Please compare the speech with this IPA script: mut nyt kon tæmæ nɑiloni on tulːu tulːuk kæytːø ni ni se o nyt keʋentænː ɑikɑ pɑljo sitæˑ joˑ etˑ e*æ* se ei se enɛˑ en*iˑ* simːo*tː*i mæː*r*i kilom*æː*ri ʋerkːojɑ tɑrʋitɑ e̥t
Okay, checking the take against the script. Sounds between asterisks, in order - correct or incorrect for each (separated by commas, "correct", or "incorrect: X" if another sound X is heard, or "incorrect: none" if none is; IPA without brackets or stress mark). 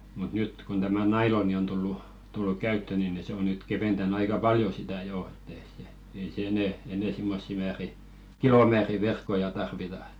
incorrect: i, incorrect: eˑ, incorrect: sː, correct, correct